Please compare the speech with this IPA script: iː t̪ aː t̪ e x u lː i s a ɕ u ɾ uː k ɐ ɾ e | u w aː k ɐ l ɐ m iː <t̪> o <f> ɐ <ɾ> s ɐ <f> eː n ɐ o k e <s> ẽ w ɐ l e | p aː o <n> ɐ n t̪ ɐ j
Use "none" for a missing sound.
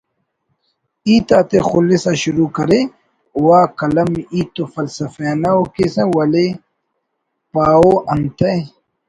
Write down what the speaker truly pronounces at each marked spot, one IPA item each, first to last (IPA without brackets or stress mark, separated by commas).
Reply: t̪, f, l, f, s, none